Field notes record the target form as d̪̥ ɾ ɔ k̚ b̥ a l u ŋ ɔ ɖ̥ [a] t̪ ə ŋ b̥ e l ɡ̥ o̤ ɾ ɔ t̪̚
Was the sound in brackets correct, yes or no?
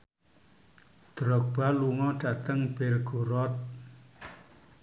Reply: yes